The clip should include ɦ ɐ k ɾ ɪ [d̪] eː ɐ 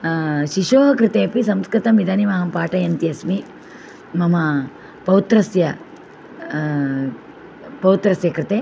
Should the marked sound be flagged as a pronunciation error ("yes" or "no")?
yes